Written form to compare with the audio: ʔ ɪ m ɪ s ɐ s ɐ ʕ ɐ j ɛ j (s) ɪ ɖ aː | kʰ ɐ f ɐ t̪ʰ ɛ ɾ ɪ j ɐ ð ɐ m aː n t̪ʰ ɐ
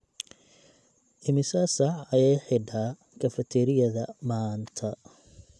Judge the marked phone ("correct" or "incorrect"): incorrect